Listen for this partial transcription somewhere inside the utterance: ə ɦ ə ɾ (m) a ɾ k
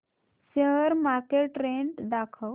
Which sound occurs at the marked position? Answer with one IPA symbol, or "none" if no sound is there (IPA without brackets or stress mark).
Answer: m